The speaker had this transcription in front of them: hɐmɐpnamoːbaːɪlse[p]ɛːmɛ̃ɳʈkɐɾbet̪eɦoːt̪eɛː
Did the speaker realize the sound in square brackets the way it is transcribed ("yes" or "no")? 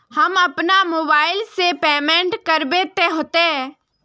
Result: yes